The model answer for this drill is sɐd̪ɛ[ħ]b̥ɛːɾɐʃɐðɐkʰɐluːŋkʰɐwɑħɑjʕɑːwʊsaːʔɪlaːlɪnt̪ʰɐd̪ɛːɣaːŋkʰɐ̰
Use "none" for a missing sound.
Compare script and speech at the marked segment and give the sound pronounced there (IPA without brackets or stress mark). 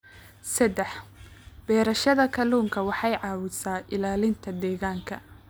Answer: ħ